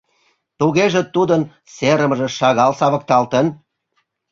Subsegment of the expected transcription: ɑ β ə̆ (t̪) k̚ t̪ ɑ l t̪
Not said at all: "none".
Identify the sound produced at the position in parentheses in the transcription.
none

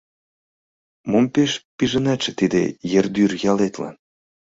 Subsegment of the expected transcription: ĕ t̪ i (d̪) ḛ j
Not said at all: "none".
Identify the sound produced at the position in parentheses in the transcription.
d̪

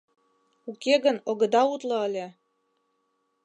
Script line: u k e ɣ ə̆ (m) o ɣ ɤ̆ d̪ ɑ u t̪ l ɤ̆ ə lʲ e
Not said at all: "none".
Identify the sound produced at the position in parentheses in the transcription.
n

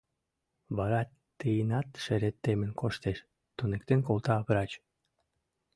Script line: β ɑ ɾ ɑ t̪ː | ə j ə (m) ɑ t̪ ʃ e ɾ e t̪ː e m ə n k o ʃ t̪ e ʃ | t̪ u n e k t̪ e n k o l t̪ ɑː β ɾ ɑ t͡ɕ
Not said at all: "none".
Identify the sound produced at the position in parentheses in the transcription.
n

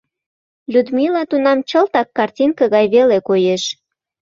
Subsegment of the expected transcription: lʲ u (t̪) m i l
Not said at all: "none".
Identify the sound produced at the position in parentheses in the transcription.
d̪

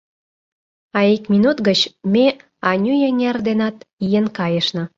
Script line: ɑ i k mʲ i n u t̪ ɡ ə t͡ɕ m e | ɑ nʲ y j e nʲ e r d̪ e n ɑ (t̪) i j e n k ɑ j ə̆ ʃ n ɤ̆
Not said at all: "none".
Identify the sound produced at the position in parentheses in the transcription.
t̪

